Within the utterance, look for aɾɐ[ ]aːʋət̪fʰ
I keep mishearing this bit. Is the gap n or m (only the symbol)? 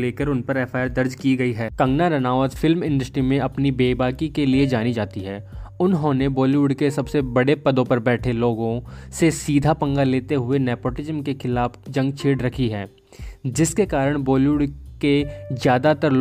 n